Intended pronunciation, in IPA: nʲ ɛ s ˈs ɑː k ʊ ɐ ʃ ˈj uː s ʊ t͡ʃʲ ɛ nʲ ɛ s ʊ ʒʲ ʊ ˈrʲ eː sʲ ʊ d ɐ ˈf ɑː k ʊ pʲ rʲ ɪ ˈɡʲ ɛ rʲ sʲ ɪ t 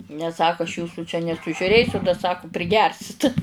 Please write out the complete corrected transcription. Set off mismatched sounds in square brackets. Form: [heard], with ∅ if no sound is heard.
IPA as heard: nʲ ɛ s ˈs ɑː k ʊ ɐ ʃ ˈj uː s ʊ t͡ʃʲ ɛ nʲ ɛ s ʊ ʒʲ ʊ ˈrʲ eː sʲ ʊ d ɐ [ˈs] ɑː k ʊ pʲ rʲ ɪ ˈɡʲ ɛ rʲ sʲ ɪ t